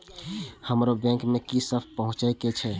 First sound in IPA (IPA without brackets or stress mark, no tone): h